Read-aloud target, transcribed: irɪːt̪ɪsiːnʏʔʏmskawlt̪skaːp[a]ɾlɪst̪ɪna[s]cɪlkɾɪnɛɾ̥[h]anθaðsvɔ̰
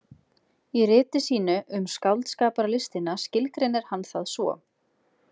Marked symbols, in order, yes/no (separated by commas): yes, yes, yes